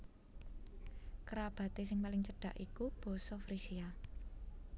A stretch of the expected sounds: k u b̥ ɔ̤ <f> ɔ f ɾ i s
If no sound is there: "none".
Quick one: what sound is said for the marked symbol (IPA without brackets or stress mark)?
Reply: s